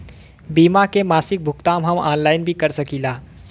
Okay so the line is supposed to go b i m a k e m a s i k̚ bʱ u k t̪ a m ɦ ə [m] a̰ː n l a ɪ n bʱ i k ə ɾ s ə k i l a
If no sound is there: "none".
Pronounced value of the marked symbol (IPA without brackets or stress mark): m